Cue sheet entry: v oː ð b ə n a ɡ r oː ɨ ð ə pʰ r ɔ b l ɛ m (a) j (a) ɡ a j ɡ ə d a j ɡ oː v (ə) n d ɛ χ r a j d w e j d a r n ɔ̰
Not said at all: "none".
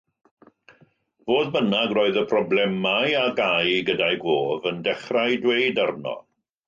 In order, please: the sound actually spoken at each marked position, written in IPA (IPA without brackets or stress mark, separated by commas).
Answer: a, a, ə